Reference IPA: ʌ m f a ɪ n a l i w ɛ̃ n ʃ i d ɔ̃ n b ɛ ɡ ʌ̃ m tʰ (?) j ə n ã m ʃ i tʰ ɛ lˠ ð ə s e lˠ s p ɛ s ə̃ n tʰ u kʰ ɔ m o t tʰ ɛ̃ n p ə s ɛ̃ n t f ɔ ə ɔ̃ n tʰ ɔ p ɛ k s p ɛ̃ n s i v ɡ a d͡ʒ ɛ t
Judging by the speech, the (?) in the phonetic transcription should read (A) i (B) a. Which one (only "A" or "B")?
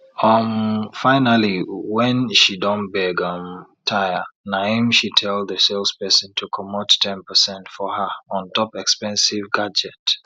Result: B